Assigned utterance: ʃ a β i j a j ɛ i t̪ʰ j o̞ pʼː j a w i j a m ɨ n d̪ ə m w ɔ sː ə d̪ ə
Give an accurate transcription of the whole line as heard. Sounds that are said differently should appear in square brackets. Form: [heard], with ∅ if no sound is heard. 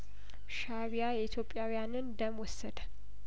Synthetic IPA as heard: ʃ a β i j a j ɛ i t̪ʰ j o̞ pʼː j a w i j a [n] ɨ n d̪ ə m w ɔ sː ə d̪ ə